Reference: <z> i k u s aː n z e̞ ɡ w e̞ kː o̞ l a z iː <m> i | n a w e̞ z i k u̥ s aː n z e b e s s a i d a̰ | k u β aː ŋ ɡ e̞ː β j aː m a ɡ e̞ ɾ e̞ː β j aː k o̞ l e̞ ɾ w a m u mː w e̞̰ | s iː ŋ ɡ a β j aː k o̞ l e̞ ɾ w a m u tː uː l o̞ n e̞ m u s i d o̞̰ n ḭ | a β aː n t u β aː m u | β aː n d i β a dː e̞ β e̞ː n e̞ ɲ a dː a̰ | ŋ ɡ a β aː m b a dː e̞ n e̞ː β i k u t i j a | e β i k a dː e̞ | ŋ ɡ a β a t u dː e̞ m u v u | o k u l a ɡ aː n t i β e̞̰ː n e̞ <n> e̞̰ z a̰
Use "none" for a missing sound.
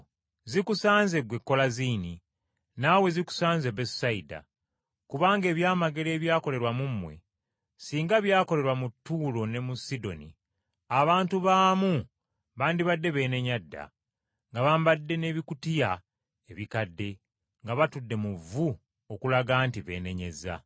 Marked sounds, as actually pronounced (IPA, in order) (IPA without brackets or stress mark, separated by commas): z, n, ɲ